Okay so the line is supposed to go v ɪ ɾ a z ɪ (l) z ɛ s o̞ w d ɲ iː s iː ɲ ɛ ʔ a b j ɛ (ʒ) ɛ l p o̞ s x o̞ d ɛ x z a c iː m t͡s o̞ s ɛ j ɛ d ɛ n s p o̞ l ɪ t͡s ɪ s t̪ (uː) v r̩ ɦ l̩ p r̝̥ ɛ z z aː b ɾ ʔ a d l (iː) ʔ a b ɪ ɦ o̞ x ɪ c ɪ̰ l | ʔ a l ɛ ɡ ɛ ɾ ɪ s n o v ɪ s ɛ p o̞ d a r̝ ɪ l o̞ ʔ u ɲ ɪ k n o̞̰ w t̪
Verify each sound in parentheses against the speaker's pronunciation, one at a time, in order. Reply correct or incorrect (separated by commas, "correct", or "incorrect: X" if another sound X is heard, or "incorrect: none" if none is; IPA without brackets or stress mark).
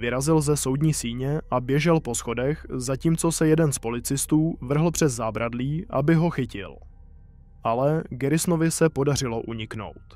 correct, correct, correct, correct